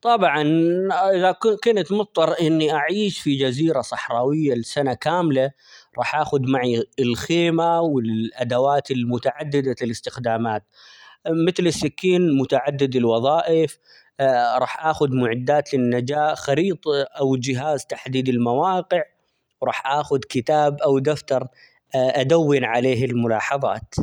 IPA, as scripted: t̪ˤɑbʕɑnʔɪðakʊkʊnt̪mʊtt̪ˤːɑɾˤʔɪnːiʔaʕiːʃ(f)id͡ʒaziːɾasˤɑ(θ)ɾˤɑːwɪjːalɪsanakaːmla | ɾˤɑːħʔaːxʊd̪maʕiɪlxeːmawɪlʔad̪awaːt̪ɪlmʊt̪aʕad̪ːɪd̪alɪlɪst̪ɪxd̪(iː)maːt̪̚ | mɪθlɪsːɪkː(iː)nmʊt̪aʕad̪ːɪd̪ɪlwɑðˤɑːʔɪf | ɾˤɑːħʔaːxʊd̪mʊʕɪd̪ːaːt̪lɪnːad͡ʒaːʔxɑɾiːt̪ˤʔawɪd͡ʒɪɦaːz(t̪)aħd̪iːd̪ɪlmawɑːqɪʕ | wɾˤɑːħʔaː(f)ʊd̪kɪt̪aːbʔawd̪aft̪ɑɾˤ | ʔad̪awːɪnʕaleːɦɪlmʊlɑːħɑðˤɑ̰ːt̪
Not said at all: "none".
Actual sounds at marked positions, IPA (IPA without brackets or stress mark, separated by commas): f, ħ, aː, iː, t̪, x